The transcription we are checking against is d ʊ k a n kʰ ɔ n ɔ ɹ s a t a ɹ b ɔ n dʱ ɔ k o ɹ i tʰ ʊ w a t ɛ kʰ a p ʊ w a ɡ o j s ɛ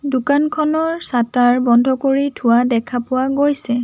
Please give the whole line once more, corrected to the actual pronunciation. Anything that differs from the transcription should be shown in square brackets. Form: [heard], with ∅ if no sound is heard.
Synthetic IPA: d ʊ k a n kʰ ɔ n ɔ ɹ s a t a ɹ b ɔ n dʱ ɔ k o ɹ i tʰ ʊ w a [d] ɛ kʰ a p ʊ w a ɡ o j s ɛ